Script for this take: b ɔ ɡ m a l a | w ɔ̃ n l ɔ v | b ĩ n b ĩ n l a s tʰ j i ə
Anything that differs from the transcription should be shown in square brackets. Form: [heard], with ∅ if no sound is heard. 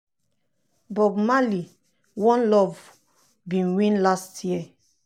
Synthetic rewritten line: b ɔ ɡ m a l [i] | w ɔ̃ n l ɔ v | b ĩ n [w] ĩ n l a s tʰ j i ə